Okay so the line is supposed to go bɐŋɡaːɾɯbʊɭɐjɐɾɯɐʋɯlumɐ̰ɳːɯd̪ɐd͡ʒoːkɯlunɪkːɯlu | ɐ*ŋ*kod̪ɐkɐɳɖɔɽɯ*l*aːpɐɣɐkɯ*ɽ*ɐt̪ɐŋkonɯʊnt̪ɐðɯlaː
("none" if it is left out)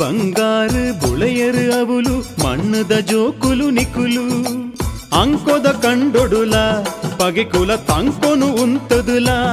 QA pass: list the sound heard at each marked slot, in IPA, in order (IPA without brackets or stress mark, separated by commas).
ŋ, l, l